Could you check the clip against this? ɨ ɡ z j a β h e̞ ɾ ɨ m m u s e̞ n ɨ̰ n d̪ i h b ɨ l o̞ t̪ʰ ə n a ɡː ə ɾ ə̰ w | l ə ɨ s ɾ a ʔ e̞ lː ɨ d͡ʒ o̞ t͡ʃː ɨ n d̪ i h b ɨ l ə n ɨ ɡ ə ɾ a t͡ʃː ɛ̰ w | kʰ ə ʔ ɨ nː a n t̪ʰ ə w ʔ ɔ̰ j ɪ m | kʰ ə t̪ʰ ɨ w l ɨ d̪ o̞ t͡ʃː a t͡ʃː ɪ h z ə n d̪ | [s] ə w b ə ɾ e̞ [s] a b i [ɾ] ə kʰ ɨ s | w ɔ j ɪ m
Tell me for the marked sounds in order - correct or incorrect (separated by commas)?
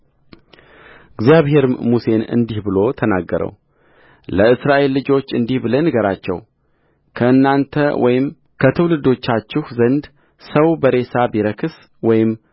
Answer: correct, correct, correct